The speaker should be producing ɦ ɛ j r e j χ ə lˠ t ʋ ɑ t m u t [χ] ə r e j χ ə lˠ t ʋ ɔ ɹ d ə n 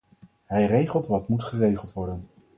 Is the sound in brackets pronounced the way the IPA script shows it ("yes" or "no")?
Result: yes